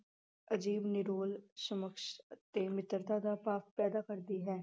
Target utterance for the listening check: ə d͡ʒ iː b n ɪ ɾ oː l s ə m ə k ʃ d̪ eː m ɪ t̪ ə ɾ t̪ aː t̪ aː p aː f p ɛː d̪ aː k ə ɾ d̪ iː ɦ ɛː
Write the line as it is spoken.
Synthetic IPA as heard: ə d͡ʒ iː b n ɪ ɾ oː l s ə m ə k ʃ t̪ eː m ɪ t̪ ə ɾ t̪ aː d̪ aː p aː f p ɛː d̪ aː k ə ɾ d̪ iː ɦ ɛː